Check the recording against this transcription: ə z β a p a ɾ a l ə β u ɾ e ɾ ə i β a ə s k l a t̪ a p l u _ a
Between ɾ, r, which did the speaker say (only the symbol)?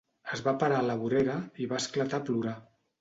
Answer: ɾ